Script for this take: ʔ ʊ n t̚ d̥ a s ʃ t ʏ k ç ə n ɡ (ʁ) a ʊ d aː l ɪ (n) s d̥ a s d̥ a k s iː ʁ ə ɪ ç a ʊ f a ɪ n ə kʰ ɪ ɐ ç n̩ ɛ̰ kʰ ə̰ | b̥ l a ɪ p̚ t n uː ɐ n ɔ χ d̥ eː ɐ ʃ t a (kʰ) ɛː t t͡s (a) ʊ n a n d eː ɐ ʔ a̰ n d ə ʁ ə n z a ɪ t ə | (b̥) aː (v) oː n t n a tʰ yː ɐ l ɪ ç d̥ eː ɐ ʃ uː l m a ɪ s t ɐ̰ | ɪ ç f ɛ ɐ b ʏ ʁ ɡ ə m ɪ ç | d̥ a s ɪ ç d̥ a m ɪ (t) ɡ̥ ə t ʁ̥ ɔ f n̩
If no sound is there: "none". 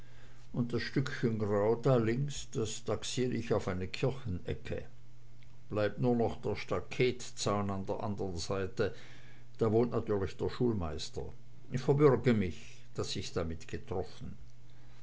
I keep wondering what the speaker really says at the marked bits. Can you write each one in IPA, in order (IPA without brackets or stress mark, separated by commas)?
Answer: ʁ, ŋ, kʰ, a, d̥, v, t